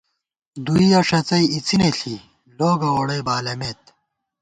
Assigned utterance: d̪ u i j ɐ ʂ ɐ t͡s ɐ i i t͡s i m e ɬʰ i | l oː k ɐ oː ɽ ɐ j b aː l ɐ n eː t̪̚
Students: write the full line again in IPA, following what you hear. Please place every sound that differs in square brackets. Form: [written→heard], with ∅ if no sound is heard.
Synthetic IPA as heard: d̪ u i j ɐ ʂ ɐ t͡s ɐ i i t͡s i [m→n] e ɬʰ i | l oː [k→ɡ] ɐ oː ɽ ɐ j b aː l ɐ [n→m] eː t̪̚